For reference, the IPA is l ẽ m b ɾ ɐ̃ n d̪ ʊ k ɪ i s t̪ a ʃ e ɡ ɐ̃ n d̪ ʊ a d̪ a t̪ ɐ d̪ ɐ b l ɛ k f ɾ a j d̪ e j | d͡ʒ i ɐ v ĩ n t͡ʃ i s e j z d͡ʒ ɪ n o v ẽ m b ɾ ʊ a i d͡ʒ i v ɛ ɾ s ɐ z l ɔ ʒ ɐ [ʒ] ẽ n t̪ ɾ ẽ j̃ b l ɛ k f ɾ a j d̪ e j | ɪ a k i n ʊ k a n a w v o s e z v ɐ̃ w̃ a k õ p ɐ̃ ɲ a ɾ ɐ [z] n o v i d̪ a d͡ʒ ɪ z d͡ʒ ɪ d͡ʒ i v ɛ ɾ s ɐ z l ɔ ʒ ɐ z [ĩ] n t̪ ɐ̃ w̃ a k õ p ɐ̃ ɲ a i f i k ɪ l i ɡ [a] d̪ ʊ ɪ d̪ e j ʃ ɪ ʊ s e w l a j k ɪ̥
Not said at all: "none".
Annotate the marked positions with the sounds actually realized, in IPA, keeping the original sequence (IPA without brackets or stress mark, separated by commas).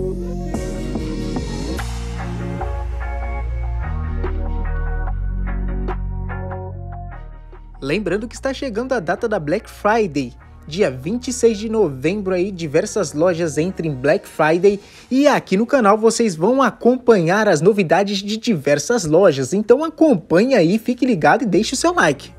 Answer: z, z, ẽ, a